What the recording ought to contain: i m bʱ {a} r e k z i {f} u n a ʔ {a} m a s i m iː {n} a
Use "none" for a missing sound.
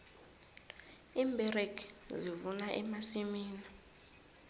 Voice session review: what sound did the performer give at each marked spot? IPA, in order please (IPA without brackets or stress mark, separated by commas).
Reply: ɛ, v, ɛ, n